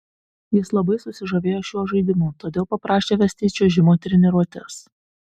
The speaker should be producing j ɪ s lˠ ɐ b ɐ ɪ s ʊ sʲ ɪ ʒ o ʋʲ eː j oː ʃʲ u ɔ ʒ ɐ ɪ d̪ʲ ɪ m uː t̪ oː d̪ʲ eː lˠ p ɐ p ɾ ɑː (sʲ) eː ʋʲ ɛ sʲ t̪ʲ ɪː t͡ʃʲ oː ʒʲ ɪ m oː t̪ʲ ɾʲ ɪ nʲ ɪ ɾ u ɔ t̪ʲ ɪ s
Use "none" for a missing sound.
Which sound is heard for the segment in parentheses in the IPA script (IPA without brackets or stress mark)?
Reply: ʃʲ